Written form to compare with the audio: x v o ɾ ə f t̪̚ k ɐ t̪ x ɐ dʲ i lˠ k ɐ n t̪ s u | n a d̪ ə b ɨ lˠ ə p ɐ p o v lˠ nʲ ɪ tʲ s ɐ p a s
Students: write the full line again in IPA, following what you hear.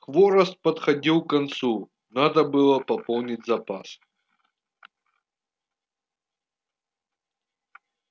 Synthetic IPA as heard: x v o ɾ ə s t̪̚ p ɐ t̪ x ɐ dʲ i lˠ k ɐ n t̪ s u | n a d̪ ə b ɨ lˠ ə p ɐ p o lˠ nʲ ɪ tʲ z ɐ p a s